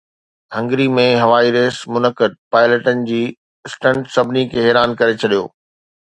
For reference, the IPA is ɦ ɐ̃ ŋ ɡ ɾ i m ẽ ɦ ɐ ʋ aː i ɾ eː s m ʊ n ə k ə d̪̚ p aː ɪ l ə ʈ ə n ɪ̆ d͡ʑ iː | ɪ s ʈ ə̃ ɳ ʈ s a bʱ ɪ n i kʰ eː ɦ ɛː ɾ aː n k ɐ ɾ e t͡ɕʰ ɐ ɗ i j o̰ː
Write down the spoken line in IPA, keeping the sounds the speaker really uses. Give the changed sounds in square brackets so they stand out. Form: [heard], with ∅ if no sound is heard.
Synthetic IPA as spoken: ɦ ɐ̃ ŋ ɡ ɾ i m ẽ ɦ ɐ ʋ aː i ɾ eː s m ʊ n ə k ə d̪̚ p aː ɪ l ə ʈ ə n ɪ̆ d͡ʑ iː | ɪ s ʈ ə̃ ɳ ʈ s [ɐ] bʱ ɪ n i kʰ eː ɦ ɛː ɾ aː n k ɐ ɾ e t͡ɕʰ ɐ ɗ i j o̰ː